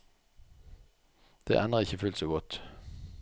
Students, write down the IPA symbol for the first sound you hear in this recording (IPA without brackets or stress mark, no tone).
d̪̥